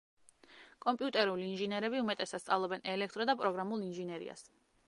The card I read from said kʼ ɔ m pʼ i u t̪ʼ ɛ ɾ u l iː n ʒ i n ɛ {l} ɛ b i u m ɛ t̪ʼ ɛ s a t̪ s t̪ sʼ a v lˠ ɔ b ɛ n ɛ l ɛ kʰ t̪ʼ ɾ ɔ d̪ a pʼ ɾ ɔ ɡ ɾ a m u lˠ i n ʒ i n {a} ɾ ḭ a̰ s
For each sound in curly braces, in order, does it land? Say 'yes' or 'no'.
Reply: no, no

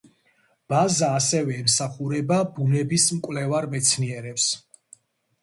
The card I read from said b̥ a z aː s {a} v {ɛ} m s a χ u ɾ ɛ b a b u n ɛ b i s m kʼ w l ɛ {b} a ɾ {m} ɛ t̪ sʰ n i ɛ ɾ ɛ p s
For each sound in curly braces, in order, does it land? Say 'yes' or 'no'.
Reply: no, no, no, yes

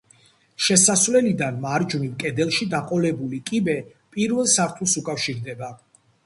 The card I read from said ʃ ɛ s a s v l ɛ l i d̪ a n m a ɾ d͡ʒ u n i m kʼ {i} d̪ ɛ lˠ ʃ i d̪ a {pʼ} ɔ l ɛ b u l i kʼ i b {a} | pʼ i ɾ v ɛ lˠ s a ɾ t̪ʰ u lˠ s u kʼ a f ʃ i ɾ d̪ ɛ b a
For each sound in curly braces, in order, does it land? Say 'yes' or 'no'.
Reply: no, no, no

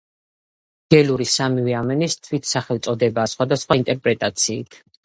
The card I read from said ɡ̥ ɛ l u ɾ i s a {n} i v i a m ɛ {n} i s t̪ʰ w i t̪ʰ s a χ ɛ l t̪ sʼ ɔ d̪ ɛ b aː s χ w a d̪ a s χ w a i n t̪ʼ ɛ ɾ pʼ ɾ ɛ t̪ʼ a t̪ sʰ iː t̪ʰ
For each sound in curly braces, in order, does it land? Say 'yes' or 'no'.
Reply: no, yes

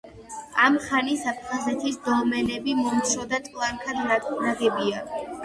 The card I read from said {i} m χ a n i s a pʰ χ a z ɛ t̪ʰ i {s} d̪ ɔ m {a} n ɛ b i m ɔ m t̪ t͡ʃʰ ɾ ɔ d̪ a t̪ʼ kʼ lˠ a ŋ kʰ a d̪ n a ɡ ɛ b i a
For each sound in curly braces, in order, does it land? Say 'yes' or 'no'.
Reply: no, yes, no

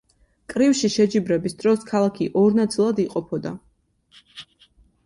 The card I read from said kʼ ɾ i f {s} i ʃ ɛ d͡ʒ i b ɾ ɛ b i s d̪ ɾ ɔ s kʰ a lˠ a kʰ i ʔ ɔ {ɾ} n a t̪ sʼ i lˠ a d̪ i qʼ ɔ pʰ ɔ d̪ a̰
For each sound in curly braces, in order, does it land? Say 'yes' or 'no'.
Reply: no, yes

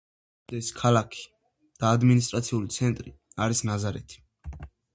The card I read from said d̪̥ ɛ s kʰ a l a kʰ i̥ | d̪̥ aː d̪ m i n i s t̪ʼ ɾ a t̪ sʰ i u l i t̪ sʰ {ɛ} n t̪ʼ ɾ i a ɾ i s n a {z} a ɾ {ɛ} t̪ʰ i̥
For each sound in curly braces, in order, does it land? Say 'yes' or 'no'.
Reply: yes, yes, yes

